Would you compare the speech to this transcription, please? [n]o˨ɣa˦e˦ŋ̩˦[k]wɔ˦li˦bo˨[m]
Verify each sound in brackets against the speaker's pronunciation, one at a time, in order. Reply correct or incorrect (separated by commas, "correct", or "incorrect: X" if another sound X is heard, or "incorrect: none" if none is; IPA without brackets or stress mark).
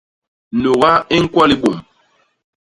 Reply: correct, correct, correct